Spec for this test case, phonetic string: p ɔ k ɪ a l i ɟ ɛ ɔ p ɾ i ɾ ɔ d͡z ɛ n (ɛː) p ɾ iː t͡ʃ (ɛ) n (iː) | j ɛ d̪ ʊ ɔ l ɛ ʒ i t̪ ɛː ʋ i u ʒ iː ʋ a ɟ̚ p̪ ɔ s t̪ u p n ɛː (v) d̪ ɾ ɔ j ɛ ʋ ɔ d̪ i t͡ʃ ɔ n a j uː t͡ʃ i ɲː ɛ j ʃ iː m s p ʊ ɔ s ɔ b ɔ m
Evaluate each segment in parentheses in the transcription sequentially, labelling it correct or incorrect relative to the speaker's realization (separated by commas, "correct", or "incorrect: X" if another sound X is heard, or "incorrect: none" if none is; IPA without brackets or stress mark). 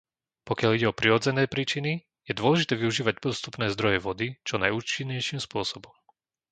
correct, incorrect: i, incorrect: i, incorrect: z